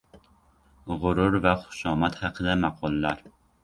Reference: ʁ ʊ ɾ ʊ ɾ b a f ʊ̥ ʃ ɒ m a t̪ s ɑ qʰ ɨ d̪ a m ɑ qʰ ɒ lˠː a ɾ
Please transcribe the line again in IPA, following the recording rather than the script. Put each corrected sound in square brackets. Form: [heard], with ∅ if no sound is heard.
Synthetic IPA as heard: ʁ ʊ ɾ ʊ ɾ [v] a [χ] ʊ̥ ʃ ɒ m a t̪ [h] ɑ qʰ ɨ d̪ a m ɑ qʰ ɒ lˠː a ɾ